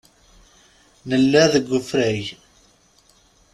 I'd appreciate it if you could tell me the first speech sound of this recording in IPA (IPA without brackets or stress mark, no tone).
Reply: n